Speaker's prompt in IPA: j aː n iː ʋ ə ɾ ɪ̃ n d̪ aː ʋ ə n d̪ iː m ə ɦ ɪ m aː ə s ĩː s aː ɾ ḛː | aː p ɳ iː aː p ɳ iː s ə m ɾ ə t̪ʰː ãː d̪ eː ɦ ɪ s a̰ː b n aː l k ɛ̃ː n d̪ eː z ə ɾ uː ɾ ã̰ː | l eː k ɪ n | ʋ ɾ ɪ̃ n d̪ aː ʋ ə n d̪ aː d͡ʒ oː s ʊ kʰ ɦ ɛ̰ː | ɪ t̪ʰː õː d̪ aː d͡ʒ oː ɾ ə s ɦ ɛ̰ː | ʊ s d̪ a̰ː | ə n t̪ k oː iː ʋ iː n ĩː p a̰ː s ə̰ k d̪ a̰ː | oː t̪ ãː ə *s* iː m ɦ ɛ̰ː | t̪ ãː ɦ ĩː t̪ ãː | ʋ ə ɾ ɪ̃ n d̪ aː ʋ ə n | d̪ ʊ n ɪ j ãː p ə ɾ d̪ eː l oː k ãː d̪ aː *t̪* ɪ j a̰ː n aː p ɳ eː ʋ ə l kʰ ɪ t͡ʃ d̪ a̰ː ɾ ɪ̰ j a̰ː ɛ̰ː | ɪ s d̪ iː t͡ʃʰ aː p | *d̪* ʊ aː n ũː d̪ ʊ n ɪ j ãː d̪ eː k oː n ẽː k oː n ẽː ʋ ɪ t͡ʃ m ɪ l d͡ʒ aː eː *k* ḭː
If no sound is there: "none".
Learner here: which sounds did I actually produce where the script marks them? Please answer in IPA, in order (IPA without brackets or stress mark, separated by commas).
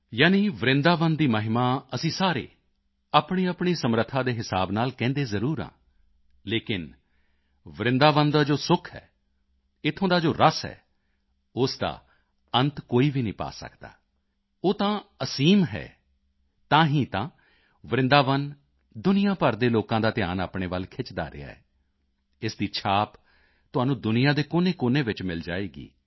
s, t̪, t̪, ɡ